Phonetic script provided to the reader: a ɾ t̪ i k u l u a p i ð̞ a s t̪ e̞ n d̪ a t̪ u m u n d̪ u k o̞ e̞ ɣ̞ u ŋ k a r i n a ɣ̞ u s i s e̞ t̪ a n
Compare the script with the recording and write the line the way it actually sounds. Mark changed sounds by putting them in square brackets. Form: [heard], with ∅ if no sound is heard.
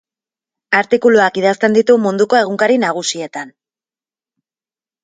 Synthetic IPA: a ɾ t̪ i k u l u a [k] i ð̞ a s t̪ e̞ n d̪ [i] t̪ u m u n d̪ u k o̞ e̞ ɣ̞ u ŋ k a [ɾ] i n a ɣ̞ u s i [∅] e̞ t̪ a n